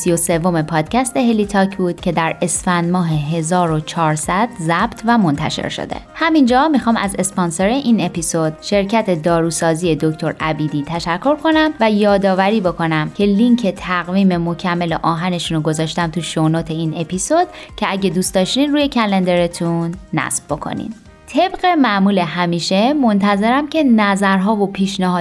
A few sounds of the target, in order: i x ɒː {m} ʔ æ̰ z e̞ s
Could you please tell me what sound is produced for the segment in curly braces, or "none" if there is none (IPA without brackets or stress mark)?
m